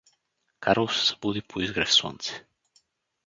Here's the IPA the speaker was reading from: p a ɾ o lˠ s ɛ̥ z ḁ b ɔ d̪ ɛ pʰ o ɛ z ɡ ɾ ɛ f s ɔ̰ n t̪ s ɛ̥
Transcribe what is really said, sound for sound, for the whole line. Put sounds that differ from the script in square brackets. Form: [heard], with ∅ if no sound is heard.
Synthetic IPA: [k] a ɾ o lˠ s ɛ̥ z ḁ b [u] d̪ [i] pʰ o [i] z ɡ ɾ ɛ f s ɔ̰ n t̪ s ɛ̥